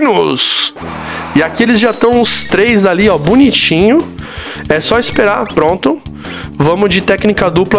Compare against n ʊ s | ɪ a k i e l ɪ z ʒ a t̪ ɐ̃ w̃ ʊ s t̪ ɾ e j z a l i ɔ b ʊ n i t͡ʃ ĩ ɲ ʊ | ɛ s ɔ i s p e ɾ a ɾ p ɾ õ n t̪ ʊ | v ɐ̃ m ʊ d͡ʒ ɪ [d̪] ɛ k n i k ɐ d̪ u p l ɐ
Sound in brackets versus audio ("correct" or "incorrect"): incorrect